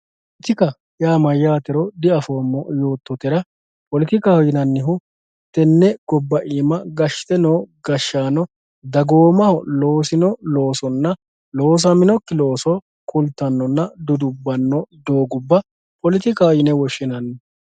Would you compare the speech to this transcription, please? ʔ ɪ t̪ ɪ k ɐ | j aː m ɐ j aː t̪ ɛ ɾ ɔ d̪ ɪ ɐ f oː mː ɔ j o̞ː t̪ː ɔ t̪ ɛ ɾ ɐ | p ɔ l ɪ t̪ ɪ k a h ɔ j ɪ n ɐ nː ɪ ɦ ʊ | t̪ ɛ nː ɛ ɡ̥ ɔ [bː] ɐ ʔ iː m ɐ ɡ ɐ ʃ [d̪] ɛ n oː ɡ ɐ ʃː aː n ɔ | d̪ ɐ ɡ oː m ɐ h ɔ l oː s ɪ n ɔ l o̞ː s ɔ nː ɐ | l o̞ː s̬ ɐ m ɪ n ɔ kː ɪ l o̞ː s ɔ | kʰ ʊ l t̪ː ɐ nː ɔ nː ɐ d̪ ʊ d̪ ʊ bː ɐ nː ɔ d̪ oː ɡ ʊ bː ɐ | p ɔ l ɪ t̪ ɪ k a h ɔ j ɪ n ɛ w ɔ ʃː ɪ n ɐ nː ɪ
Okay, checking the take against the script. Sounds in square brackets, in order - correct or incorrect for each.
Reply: correct, incorrect: t̪

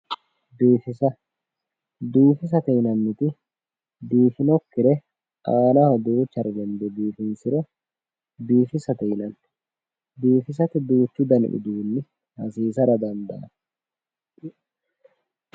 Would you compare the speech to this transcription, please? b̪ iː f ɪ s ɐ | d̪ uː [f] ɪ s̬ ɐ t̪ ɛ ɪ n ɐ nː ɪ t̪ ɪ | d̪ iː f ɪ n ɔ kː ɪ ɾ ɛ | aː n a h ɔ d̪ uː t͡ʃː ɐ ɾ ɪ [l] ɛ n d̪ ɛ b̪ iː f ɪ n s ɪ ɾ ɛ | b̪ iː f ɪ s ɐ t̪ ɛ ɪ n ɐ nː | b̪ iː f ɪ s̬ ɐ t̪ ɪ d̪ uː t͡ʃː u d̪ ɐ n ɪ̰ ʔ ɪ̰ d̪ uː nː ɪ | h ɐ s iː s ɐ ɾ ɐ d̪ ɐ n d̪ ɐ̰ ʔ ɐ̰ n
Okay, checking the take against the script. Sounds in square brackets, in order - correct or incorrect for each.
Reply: correct, correct

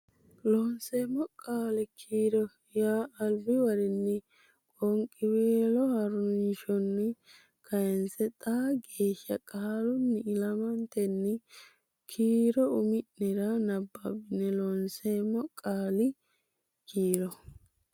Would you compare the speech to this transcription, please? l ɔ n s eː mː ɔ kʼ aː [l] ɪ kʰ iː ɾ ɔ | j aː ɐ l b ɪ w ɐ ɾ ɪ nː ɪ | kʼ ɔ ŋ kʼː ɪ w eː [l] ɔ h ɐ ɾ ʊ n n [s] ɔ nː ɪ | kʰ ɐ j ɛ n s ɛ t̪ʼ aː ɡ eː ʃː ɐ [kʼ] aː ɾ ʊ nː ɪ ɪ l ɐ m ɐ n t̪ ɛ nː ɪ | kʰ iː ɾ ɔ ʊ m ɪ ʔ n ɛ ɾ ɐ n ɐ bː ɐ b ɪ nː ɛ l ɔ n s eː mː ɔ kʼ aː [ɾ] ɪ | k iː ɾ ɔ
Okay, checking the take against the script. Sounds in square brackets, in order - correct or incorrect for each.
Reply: correct, correct, incorrect: ʃ, correct, incorrect: l

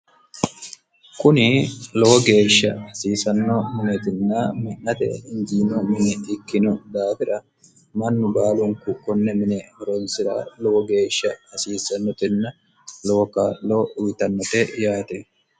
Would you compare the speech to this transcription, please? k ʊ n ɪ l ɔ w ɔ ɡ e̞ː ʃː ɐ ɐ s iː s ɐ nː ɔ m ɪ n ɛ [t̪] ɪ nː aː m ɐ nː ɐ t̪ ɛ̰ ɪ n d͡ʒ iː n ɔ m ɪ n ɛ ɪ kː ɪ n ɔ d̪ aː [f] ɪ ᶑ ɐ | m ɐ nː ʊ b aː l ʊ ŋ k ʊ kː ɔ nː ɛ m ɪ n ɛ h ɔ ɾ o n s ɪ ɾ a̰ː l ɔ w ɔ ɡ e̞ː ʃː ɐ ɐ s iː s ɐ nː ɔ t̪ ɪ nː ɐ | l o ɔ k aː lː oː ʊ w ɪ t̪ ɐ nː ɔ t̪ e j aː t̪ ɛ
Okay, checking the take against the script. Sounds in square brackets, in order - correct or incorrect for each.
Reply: correct, correct

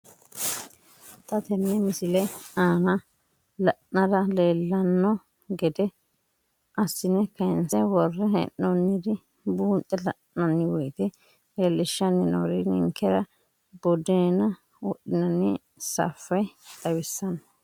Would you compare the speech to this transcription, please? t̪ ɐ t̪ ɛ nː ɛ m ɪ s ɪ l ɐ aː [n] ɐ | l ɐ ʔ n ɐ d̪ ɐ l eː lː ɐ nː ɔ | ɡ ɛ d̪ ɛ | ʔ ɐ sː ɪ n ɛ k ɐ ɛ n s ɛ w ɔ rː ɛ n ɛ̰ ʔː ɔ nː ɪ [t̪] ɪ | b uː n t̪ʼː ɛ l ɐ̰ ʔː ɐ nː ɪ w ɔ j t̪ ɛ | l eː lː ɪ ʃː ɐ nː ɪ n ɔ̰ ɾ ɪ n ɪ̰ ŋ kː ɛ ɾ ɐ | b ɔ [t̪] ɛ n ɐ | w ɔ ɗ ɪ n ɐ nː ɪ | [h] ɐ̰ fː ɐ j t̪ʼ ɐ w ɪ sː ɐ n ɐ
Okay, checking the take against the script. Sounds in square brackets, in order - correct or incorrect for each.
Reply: correct, incorrect: d̪, incorrect: d̪, incorrect: s

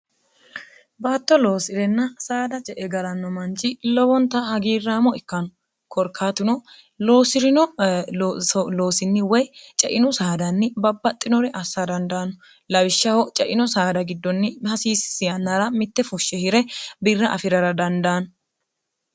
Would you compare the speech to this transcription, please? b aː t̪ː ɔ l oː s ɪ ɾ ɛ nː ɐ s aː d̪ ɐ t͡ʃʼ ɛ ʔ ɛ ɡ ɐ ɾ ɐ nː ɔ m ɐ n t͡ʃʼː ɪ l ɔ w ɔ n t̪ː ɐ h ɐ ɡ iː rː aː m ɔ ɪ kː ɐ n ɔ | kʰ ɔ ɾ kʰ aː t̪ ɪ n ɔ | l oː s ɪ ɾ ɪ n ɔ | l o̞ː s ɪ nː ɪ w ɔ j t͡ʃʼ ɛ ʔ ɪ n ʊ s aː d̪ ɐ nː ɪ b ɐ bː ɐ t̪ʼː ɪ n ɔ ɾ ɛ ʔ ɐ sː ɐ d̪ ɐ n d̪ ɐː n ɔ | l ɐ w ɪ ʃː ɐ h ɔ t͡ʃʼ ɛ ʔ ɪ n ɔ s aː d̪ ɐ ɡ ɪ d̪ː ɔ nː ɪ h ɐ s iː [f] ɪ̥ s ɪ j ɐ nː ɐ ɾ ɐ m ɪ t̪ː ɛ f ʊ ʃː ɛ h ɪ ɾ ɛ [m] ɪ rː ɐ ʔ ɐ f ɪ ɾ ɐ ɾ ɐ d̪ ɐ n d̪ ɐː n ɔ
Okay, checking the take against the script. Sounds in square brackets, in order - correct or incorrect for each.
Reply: incorrect: s, incorrect: b

